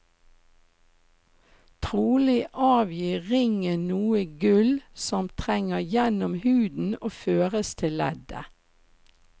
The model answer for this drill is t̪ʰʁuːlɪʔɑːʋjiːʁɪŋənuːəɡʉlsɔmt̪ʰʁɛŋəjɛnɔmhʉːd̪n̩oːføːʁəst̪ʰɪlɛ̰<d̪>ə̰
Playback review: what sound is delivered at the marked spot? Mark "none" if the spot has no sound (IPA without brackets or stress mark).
d̪